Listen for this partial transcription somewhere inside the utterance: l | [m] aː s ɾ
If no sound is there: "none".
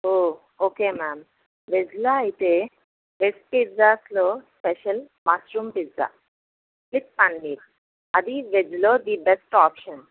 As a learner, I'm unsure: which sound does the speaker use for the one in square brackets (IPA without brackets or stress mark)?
m